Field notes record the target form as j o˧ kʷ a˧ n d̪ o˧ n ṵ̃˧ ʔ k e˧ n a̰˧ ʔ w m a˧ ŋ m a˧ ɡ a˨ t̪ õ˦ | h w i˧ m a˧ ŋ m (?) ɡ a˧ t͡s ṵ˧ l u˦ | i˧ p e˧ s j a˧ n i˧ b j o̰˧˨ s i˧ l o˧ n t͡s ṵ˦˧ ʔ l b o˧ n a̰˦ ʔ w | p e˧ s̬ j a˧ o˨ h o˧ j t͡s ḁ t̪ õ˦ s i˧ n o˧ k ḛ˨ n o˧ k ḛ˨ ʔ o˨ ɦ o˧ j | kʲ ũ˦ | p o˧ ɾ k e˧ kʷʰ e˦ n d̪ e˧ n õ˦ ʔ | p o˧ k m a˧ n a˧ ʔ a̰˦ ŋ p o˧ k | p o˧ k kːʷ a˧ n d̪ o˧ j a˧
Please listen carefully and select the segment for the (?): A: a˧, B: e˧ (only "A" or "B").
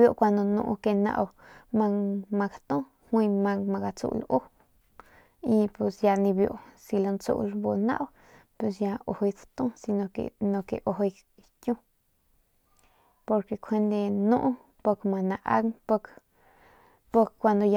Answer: A